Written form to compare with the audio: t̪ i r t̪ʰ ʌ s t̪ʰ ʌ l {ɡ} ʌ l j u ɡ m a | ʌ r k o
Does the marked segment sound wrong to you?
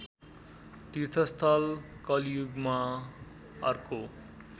yes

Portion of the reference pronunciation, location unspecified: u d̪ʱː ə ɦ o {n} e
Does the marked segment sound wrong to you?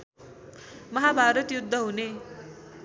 no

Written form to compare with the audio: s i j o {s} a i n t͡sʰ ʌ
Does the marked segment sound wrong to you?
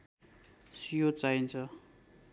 yes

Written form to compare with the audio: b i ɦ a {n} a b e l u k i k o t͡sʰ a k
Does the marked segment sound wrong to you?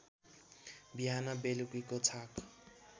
no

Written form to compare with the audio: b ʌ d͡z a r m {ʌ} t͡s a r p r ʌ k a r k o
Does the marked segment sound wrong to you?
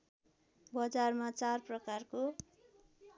yes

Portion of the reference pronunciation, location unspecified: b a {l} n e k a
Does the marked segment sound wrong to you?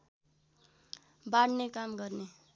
yes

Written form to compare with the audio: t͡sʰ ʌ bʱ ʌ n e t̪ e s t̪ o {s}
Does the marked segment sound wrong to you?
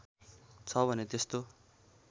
yes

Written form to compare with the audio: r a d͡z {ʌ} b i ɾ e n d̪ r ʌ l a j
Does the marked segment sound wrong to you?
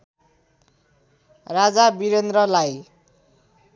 yes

